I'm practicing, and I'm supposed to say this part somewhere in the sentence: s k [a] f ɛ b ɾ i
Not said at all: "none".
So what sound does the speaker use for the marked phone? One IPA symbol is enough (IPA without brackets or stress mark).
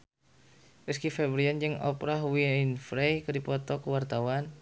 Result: i